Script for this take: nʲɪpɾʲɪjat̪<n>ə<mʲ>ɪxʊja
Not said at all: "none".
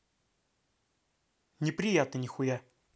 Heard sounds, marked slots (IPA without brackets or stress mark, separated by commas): n, nʲ